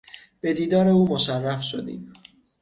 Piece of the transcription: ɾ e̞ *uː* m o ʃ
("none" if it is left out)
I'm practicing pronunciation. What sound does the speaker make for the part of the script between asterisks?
uː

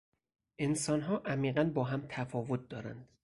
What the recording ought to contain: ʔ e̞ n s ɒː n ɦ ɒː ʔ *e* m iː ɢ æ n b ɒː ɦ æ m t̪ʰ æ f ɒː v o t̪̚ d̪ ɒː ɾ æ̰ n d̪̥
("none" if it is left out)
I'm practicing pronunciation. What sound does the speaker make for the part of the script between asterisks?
æ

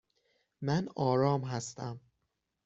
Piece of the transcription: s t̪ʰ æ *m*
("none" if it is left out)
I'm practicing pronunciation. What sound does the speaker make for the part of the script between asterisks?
m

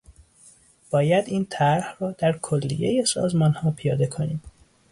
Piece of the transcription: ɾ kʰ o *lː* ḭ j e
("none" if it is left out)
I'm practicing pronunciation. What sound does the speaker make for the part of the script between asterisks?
lː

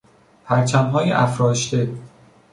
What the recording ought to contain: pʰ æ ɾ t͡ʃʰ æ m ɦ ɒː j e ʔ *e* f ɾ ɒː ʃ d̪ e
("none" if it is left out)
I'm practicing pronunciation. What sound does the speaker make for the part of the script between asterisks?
æ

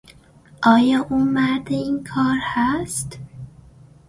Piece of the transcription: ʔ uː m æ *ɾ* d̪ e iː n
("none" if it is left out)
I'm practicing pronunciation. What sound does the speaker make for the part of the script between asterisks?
ɾ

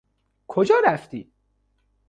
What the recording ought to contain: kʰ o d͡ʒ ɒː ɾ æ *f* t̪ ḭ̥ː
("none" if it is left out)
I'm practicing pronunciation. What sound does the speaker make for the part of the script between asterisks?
f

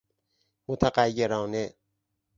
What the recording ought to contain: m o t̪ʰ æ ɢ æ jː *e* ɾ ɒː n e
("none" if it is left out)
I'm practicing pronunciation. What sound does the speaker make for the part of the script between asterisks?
e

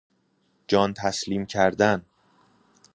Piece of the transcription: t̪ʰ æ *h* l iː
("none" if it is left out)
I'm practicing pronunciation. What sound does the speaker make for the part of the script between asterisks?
s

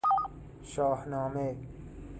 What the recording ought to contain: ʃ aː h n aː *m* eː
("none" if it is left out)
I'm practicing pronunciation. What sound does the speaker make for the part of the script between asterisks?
m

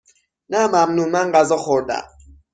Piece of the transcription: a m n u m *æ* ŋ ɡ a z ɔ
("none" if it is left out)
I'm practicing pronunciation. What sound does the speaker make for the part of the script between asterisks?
a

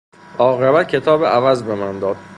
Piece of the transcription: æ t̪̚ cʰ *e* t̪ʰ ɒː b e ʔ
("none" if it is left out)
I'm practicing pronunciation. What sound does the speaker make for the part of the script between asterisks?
e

